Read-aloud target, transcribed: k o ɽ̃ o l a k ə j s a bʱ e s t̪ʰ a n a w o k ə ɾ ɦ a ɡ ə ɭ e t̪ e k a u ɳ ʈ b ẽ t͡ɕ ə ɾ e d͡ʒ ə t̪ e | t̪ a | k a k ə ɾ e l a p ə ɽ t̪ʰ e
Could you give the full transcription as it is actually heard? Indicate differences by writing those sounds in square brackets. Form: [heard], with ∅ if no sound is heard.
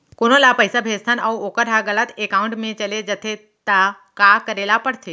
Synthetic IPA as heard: k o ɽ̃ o l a [p] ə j s a bʱ e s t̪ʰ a n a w o k ə ɾ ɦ a ɡ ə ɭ [a] t̪ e k a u ɳ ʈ [m] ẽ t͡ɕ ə [l] e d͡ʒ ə [t̪ʰ] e | t̪ a | k a k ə ɾ e l a p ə ɽ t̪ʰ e